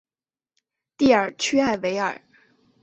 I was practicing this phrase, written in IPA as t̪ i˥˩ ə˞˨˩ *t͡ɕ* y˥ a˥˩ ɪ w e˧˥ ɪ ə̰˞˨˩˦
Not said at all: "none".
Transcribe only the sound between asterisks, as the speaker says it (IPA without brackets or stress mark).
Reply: t͡ɕʰ